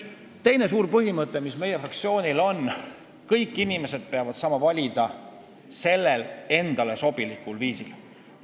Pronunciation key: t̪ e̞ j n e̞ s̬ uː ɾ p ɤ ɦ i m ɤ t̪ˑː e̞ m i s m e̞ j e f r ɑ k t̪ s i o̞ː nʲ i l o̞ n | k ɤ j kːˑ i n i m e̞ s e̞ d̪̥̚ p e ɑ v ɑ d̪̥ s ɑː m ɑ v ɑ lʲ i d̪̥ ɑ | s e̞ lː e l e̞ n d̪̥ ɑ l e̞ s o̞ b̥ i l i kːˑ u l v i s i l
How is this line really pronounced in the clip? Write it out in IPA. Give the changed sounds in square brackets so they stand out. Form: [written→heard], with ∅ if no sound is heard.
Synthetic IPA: t̪ e̞ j n e̞ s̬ uː ɾ p ɤ ɦ i m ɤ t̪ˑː e̞ m i s m e̞ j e f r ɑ k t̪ s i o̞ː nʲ i l o̞ n | k ɤ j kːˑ i n i m e̞ s e̞ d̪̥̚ p e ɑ v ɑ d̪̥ s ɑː m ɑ v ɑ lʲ i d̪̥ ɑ | s e̞ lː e l e̞ n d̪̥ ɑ l e̞ s o̞ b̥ i l i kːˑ u l v [i→iː] s i l